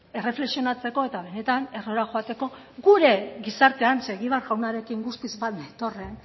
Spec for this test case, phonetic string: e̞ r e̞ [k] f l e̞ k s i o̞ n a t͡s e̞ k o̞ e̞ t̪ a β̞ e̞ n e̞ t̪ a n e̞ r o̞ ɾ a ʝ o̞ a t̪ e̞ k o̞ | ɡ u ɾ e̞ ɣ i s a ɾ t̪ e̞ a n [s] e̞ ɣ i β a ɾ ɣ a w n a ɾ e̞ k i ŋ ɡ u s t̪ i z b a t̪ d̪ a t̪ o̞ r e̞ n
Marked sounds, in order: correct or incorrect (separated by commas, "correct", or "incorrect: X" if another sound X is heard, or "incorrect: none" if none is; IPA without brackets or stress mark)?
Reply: incorrect: none, correct